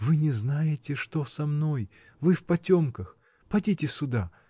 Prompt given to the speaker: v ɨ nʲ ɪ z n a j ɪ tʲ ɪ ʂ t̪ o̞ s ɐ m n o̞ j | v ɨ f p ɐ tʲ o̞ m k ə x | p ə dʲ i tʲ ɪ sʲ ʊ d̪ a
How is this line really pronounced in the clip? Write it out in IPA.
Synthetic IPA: v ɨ nʲ ɪ z n a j ɪ tʲ ɪ ʂ t̪ o̞ s ɐ m n o̞ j | v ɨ f p ɐ tʲ o̞ m k ə x | p ɐ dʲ i tʲ ɪ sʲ ʊ d̪ a